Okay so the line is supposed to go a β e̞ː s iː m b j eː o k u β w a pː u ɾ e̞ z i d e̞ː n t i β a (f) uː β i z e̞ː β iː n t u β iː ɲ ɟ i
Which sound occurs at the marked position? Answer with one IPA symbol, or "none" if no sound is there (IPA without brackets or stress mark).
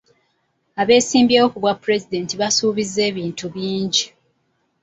s